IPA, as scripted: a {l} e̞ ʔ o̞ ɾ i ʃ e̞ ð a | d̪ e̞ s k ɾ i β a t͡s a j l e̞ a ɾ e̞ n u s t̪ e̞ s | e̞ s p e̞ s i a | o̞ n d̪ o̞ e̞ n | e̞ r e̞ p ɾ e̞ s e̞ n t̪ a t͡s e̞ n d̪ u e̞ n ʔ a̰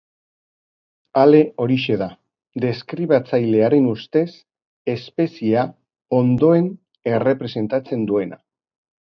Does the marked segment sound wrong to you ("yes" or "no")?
no